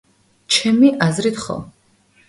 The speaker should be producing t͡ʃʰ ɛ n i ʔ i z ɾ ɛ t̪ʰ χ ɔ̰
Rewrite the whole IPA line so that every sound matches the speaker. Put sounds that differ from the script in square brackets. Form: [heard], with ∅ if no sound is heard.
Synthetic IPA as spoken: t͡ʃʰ ɛ [m] i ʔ [a] z ɾ [i] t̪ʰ χ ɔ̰